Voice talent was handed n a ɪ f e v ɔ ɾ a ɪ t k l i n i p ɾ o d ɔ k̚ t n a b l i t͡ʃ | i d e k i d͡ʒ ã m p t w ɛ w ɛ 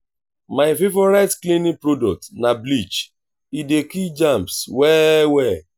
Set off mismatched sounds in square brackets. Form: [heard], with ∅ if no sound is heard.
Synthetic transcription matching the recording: [m] a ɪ f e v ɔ ɾ a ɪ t k l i n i p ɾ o d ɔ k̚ t n a b l i t͡ʃ | i d e k i d͡ʒ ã m p [s] w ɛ w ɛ

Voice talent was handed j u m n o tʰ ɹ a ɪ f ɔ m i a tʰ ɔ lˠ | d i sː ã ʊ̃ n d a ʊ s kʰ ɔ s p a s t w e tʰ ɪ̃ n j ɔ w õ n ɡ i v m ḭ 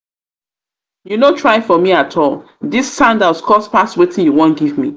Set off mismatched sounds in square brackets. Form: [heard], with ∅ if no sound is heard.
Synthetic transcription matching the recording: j u [∅] n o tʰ ɹ a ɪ f ɔ m i a tʰ ɔ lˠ | d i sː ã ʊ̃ n d a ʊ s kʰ ɔ s p a s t w e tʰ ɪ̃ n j [u] w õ n ɡ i v m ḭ

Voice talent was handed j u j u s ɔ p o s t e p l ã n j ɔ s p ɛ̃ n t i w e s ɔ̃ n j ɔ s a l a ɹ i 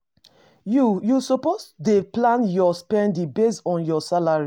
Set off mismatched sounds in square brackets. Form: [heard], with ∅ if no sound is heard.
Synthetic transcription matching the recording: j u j u s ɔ p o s [d] e p l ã n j ɔ s p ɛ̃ n [d] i [b] e s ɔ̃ n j ɔ s a l a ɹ i

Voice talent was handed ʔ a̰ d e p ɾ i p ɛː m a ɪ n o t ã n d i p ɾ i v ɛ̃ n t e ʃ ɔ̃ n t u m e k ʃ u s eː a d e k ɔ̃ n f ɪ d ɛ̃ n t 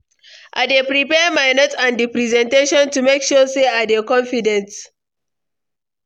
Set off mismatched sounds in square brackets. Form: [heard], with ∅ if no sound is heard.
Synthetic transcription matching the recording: ʔ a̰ d e p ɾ i p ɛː m a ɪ n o t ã n d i p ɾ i [z] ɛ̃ n t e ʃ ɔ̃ n t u m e k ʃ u s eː a d e k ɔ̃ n f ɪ d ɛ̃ n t

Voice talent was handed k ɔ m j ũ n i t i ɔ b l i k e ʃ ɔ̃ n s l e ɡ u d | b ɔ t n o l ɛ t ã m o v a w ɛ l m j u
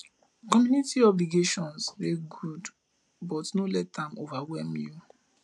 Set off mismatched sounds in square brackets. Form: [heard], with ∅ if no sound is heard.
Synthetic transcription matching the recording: k ɔ m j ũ n i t i ɔ b l i [ɡ] e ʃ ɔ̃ n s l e ɡ u d | b ɔ t n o l ɛ t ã m o v a w ɛ l m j u

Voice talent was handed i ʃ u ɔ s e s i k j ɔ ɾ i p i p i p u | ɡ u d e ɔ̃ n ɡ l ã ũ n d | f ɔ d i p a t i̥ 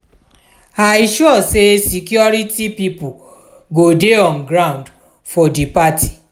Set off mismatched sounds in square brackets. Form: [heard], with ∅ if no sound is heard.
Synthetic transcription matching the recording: [a] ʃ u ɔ s e s i k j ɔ ɾ i [t] i p i p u | ɡ [o] d e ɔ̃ n ɡ [ɾ] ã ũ n d | f ɔ d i p a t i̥

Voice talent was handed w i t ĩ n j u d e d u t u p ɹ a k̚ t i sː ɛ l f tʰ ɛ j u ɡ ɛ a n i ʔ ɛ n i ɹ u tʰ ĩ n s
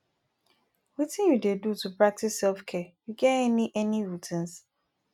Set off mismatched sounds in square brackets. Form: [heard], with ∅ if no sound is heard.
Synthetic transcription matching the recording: w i t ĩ n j u d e d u t u p ɹ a k̚ t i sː ɛ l f [kʰ] ɛ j u ɡ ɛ [ɛ] n i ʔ ɛ n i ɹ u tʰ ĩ n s

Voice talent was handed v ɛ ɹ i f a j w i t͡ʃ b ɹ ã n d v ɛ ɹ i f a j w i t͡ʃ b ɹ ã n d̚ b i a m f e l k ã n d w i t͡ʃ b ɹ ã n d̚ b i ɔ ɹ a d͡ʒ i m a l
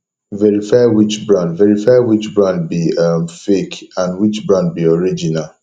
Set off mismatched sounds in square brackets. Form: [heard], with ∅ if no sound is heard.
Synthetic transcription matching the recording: v ɛ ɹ i f a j w i t͡ʃ b ɹ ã n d v ɛ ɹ i f a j w i t͡ʃ b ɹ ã n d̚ b i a m f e [∅] k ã n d w i t͡ʃ b ɹ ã n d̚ b i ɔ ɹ [i] d͡ʒ i [n] a l

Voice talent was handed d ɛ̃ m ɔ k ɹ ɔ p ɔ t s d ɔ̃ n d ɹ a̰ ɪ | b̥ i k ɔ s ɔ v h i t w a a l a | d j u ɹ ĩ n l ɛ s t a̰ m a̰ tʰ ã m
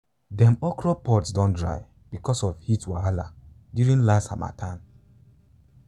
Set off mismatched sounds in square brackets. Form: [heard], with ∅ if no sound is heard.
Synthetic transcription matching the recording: d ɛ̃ m ɔ k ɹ ɔ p ɔ t s d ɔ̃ n d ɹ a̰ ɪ | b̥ i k ɔ s ɔ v h i t w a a l a | d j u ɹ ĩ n l [a] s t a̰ m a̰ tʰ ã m

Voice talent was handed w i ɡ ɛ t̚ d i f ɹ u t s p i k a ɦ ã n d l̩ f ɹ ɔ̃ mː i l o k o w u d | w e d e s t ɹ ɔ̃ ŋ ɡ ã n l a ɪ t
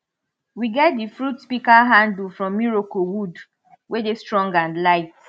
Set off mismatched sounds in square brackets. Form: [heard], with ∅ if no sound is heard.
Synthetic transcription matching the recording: w i ɡ ɛ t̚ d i f ɹ u t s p i k a ɦ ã n d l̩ f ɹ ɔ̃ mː i [ɹ] o k o w u d | w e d e s t ɹ ɔ̃ ŋ ɡ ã n l a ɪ t

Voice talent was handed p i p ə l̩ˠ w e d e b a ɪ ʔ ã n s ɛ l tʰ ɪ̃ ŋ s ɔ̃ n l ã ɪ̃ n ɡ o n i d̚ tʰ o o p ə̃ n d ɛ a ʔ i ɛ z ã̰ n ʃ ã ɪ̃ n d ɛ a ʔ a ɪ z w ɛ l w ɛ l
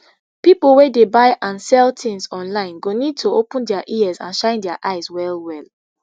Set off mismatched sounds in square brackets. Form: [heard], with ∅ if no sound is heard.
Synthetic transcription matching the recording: p i p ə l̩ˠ w e d e b a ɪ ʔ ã n s ɛ l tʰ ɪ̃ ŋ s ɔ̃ n l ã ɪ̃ n ɡ o n i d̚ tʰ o o p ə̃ n d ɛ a ʔ i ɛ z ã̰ n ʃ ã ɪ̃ n d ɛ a ʔ a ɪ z w ɛ l w ɛ l

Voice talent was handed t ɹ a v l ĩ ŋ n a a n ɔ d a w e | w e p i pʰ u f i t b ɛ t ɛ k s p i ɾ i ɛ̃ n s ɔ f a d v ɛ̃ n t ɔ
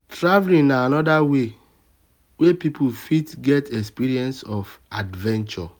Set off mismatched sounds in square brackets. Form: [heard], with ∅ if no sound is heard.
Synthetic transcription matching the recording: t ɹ a v l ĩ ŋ n a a n ɔ d a w e | w e p i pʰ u f i t [ɡ] ɛ t ɛ k s p i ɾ i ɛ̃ n s ɔ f a d v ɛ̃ n [t͡ʃ] ɔ

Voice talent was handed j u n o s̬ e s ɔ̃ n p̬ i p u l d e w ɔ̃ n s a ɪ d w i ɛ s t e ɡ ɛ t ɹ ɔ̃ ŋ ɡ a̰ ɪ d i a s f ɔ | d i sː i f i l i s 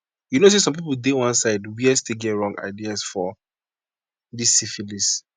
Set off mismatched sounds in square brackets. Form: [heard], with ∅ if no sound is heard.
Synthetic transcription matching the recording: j u n o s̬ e s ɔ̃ [m] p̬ i p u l d e w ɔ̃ n s a ɪ d w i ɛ s t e ɡ ɛ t ɹ ɔ̃ ŋ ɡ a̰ ɪ d i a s f ɔ | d i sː i f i l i s

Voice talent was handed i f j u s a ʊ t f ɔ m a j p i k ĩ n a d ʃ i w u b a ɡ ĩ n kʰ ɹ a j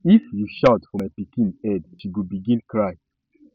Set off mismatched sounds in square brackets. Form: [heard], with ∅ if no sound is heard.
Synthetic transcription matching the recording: i f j u [ʃ] a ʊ t f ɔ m a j p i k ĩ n [ɛ] d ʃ i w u b [i] ɡ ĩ n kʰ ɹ a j

